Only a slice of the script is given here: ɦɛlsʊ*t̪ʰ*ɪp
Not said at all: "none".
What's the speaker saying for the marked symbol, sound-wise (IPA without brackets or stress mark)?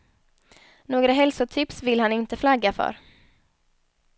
t̪ʰ